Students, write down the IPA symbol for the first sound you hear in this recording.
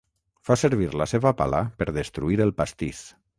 f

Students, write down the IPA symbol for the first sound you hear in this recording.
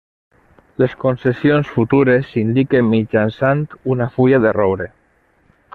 l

